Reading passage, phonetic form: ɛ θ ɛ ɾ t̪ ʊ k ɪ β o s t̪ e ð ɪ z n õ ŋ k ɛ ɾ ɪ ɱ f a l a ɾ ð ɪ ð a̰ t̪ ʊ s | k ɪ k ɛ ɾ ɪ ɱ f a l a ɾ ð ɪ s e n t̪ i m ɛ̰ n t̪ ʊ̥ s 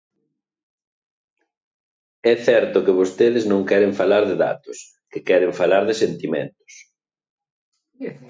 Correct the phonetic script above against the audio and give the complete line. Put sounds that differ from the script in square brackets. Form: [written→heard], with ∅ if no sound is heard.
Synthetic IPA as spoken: ɛ θ ɛ ɾ t̪ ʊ k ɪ β o s t̪ e ð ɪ z n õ ŋ k ɛ ɾ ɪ ɱ f a l a ɾ ð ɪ ð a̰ t̪ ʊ s | k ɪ k ɛ ɾ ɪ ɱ f a l a ɾ ð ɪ s e n t̪ i m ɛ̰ n t̪ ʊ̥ s